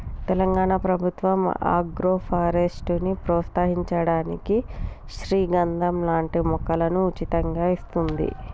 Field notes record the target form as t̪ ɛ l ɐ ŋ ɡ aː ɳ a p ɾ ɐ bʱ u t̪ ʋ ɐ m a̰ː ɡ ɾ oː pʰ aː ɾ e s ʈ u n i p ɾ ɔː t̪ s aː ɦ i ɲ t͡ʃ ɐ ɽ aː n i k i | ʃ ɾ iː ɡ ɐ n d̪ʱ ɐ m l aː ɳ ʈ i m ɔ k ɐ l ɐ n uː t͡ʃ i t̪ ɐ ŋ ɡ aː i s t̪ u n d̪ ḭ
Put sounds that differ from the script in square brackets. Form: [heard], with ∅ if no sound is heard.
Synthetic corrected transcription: t̪ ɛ l ɐ ŋ ɡ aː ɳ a p ɾ ɐ bʱ u t̪ ʋ ɐ m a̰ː ɡ ɾ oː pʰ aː ɾ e s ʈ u n i p ɾ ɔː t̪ s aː ɦ i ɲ t͡ʃ ɐ ɽ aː n i k i | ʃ ɾ iː ɡ ɐ n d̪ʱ ɐ m l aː ɳ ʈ i m ɔ k ɐ l ɐ n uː t͡ʃ i t̪ ɐ ŋ ɡ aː i s t̪ u n d̪ ḭ